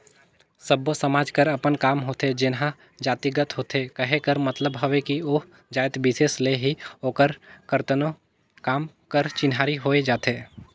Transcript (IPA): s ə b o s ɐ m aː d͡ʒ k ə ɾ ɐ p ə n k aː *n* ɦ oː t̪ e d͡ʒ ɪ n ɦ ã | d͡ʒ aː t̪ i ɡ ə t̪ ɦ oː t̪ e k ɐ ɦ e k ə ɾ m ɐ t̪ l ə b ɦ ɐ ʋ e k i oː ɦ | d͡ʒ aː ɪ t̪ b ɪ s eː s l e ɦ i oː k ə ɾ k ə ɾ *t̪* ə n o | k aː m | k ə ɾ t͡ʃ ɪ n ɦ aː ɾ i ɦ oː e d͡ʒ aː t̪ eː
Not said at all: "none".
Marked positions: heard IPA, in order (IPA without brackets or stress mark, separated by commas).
m, t̪